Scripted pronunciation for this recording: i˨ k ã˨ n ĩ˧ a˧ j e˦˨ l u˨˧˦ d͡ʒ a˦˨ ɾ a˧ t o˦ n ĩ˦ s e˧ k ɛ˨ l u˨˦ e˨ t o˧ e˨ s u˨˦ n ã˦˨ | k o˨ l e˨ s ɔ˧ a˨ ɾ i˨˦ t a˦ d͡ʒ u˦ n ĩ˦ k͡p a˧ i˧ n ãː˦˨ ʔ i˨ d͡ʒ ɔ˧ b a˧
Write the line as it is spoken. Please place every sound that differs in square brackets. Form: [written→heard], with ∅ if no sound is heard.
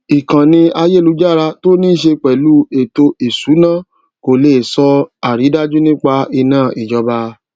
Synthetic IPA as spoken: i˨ k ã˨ n ĩ˧ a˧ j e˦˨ l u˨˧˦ d͡ʒ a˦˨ ɾ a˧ t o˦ n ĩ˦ [s→ʃ] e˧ [k→k͡p] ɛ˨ l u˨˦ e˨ t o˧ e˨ s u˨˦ n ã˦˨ | k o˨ l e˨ s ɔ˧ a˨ ɾ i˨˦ [t→d] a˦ d͡ʒ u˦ n ĩ˦ k͡p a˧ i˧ n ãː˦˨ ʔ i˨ d͡ʒ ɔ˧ b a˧

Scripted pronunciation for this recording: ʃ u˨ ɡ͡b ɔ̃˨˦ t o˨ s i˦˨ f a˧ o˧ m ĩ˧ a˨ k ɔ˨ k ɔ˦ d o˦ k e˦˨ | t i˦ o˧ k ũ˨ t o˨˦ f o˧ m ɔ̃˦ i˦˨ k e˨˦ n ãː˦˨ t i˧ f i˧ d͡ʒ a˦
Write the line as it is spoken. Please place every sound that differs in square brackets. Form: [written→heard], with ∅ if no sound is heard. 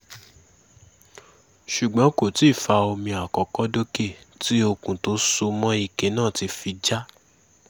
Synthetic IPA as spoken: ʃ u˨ ɡ͡b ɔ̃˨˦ [t→k] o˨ [s→t] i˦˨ f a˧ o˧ m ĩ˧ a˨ k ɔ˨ k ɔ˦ d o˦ k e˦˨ | t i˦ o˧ k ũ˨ t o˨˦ [f→s] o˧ m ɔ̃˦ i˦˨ k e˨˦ n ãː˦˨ t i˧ f i˧ d͡ʒ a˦

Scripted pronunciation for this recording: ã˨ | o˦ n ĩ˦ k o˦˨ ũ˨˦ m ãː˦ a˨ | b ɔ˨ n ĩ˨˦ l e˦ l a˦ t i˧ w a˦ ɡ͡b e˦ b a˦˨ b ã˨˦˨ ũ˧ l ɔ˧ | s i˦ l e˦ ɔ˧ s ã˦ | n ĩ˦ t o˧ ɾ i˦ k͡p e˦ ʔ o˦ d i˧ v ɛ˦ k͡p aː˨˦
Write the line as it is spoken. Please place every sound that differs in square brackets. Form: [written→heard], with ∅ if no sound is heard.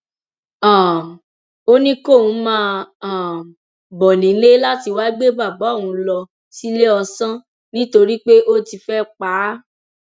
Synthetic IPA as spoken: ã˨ | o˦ n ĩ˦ k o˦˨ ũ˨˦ m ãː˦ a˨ | b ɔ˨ n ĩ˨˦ l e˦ l a˦ t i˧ w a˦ ɡ͡b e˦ b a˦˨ b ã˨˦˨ ũ˧ l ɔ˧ | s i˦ l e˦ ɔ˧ s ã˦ | n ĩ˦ t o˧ ɾ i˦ k͡p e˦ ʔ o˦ [d→t] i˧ [v→f] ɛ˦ k͡p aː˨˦

